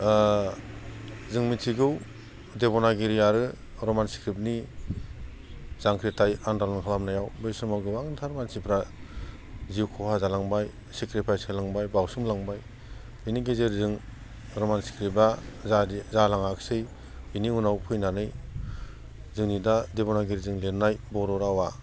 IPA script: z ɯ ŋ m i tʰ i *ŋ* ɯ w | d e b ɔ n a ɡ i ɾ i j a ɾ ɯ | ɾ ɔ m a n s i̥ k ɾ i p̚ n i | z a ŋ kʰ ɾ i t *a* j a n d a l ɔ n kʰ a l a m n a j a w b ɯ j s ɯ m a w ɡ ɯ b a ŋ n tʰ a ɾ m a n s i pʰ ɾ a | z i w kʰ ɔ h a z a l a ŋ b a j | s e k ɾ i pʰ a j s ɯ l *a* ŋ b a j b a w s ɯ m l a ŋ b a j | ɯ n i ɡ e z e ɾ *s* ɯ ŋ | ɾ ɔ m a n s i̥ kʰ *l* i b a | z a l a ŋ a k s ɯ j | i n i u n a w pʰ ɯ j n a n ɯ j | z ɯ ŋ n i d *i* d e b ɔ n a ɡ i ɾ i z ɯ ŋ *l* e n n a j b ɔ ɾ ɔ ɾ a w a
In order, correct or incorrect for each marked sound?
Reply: incorrect, correct, correct, incorrect, incorrect, incorrect, correct

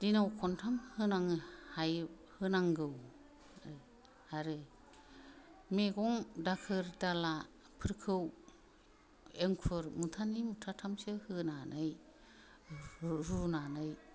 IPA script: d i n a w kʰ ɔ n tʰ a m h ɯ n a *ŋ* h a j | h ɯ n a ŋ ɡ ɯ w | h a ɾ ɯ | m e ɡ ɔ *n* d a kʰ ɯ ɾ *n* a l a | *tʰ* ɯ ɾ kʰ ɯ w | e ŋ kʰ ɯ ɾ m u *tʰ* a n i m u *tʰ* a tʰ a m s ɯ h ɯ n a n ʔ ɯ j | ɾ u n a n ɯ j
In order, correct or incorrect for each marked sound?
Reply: correct, incorrect, incorrect, incorrect, correct, correct

